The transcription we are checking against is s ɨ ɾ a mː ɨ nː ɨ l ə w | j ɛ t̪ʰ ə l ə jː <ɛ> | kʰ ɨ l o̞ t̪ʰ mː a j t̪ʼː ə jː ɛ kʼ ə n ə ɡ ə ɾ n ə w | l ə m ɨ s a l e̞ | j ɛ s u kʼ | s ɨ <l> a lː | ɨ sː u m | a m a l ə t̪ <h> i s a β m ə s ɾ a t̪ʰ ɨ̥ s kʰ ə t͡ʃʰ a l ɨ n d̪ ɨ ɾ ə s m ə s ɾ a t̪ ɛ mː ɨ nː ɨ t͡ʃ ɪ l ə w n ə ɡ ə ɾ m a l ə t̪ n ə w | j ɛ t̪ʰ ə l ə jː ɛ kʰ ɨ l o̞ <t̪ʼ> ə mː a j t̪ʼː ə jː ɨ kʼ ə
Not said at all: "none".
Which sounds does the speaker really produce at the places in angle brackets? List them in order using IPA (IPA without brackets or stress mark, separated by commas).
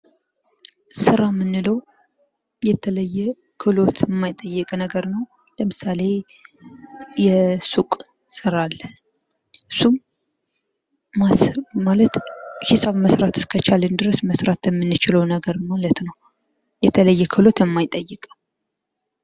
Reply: ɛ, ɾ, h, t̪